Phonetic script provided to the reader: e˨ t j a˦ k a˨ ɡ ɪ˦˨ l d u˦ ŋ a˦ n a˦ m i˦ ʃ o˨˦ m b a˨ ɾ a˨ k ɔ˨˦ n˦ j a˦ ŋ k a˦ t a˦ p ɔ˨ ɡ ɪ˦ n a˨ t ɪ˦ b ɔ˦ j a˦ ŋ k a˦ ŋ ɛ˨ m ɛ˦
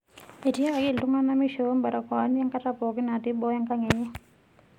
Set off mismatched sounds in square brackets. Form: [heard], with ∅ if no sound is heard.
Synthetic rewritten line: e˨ t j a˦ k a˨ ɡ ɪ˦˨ l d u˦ ŋ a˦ n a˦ m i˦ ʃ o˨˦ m b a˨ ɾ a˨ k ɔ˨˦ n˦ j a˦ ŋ k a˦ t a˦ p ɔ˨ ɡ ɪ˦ n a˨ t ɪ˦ b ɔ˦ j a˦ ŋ k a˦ ŋ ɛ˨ [ɲ] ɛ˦